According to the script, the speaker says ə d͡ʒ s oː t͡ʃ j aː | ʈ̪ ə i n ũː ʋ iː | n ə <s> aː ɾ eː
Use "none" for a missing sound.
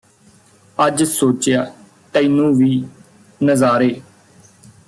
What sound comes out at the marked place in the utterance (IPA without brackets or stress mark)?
z